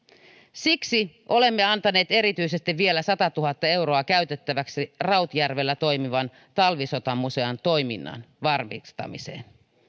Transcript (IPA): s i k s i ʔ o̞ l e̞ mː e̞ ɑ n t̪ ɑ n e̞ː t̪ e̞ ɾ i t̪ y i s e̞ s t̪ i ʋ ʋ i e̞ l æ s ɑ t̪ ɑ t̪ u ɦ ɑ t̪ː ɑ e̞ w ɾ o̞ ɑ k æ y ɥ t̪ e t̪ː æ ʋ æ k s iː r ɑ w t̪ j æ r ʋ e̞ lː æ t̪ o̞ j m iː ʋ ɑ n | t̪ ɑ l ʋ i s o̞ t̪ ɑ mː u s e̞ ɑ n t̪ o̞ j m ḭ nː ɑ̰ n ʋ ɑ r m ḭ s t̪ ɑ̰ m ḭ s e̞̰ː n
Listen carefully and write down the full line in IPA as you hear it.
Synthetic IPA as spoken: s i k s i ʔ o̞ l e̞ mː e̞ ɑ n t̪ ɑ n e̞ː t̪ e̞ ɾ i t̪ y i s e̞ s t̪ i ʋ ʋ i e̞ l æ s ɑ t̪ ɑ t̪ u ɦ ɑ t̪ː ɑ e̞ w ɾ o̞ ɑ k æ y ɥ t̪ e t̪ː æ ʋ æ k s i r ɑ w t̪ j æ r ʋ e̞ lː æ t̪ o̞ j m i ʋ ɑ n | t̪ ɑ l ʋ i s o̞ t̪ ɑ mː u s e̞ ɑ n t̪ o̞ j m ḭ nː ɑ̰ n ʋ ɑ r m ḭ s t̪ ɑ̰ m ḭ s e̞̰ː n